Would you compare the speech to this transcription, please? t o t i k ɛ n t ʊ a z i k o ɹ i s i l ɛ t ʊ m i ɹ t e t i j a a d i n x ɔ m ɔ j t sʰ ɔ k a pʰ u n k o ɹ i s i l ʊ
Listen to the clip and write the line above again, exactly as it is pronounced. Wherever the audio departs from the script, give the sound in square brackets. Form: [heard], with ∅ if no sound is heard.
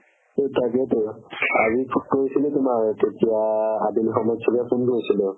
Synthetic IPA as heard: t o t [a] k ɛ [∅] t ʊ a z i k o ɹ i s i l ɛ t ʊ m [a] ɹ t e t i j a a d i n x ɔ m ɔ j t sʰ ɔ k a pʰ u n k o ɹ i s i l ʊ